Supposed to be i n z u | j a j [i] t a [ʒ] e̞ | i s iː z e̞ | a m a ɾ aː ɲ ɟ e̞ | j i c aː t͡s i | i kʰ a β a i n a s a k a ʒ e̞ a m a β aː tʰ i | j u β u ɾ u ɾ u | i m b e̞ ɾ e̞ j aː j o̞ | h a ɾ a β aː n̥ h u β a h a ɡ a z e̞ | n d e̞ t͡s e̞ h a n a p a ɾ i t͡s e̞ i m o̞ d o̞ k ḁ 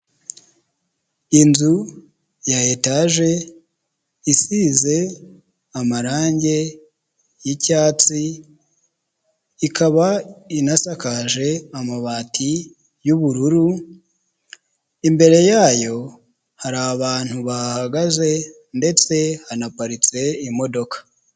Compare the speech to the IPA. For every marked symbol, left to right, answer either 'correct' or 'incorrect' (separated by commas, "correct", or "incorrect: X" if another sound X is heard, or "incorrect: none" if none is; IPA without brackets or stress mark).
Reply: incorrect: e, correct